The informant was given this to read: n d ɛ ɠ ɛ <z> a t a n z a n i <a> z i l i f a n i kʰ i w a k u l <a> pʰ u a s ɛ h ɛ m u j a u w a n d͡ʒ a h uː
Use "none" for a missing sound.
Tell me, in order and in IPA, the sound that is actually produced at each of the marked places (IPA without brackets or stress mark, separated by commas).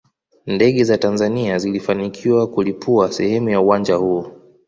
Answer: z, a, i